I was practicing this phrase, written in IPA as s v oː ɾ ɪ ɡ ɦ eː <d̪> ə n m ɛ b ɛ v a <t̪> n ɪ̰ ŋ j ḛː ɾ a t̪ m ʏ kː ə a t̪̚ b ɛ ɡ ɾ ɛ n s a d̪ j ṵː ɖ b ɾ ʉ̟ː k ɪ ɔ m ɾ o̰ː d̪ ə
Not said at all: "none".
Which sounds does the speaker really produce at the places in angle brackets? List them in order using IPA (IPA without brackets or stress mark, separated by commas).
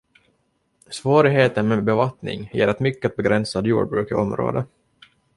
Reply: t̪, t̪